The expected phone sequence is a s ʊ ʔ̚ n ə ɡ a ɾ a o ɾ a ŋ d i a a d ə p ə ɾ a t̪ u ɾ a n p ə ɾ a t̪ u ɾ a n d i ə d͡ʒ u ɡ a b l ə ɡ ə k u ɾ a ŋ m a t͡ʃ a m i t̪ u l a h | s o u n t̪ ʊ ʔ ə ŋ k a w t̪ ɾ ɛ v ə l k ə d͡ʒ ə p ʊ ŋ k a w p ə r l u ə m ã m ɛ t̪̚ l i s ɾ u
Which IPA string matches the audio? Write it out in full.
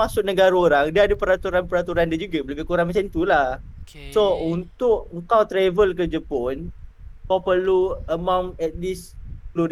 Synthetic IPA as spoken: a s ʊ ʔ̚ n ə ɡ a ɾ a o ɾ a ŋ d i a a d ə p ə ɾ a t̪ u ɾ a n p ə ɾ a t̪ u ɾ a n d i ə d͡ʒ u ɡ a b l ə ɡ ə k u ɾ a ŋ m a t͡ʃ a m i t̪ u l a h | s o u n t̪ ʊ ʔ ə ŋ k a w t̪ ɾ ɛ v ə l k ə d͡ʒ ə p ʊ n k a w p ə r l u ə m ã m ɛ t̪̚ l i s l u